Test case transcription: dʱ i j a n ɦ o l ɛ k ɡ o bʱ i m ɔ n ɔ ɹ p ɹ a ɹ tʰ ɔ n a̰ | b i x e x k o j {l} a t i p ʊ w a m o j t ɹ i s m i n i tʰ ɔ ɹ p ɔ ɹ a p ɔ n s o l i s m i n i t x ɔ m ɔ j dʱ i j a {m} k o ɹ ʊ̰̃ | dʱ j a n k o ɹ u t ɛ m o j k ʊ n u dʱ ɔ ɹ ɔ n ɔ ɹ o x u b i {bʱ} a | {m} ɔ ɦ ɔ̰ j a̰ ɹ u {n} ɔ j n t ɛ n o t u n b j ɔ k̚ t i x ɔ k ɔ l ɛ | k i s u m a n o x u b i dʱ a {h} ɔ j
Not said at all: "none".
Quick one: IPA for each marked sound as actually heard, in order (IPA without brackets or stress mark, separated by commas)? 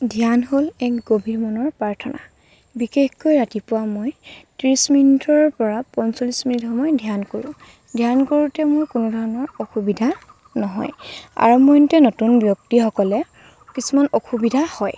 ɹ, n, dʱ, n, m, h